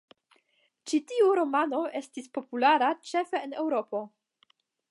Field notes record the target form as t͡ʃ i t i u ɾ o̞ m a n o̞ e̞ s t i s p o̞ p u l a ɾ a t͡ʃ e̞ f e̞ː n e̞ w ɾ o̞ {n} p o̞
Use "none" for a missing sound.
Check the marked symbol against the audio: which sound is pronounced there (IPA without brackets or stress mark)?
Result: none